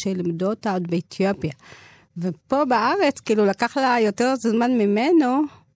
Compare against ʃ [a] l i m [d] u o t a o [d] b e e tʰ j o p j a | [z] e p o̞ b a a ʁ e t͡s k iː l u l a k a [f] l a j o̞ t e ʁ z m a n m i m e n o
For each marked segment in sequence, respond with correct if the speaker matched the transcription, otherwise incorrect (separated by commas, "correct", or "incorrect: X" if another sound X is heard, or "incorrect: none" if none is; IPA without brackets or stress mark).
incorrect: e, correct, correct, incorrect: v, incorrect: χ